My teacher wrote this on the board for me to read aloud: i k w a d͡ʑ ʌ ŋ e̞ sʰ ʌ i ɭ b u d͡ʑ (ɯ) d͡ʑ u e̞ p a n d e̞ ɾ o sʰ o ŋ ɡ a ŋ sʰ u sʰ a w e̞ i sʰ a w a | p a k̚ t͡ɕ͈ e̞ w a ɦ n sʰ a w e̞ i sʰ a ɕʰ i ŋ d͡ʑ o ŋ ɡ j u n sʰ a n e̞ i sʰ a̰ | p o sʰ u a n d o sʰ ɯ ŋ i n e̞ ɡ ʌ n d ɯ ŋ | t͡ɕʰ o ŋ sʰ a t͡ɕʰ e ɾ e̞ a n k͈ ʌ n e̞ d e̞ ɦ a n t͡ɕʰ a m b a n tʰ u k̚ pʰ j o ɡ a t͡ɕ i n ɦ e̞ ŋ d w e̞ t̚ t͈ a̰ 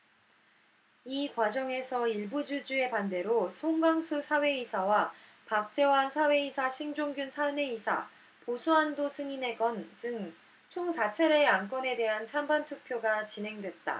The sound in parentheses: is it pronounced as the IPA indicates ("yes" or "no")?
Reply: no